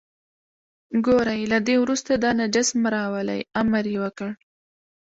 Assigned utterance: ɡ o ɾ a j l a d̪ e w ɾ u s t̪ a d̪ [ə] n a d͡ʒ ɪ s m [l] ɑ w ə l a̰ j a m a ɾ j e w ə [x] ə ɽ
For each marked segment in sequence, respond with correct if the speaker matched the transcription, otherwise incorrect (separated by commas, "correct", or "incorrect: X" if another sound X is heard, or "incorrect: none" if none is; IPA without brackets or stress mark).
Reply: incorrect: ɑ, incorrect: ɾ, incorrect: k